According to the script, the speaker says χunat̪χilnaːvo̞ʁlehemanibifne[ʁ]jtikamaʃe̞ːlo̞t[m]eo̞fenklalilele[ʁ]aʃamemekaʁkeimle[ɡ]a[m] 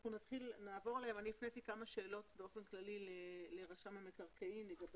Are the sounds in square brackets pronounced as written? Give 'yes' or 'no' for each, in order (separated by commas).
no, no, yes, yes, no